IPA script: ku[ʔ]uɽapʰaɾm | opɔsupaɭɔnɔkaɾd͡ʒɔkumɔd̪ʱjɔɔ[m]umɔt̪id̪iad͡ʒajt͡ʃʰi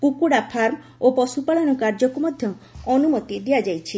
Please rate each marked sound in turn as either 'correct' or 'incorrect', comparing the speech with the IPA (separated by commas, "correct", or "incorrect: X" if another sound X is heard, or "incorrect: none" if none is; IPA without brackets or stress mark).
incorrect: k, incorrect: n